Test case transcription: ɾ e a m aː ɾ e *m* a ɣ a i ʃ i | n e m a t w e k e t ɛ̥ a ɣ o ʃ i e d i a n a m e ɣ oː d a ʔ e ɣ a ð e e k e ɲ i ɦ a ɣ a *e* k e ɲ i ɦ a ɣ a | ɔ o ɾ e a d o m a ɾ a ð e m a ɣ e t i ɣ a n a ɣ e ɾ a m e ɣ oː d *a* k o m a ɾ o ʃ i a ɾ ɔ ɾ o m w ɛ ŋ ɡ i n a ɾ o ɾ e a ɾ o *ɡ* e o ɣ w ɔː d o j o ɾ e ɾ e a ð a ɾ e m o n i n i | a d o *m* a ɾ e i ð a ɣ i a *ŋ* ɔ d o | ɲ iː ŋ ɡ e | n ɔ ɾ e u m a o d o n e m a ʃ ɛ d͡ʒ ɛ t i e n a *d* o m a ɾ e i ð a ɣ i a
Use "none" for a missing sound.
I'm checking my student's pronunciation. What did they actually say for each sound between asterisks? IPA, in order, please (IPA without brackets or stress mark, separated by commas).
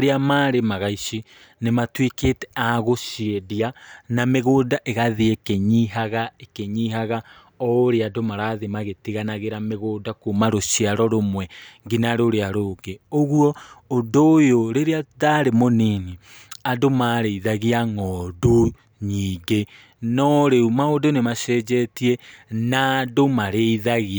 m, e, a, ɡ, m, ŋ, d